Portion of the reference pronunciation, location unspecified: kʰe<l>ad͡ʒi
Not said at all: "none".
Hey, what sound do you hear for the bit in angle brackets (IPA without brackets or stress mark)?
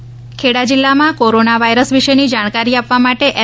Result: ɽ